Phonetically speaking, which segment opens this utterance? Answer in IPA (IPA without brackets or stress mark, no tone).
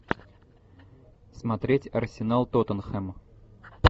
s